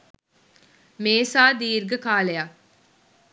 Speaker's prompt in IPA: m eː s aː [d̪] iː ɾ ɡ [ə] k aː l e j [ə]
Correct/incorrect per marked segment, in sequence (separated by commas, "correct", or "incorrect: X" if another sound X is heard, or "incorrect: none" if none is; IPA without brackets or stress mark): correct, correct, incorrect: a